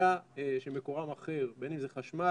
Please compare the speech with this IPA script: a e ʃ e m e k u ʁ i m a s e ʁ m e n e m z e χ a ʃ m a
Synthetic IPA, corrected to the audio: a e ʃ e m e k o ʁ a m a χ e ʁ b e n i m z e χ a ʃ m a